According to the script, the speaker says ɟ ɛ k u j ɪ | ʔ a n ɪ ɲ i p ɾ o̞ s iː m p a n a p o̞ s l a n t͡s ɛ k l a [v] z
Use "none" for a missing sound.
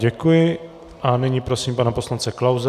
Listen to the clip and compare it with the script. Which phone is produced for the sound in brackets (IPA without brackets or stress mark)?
w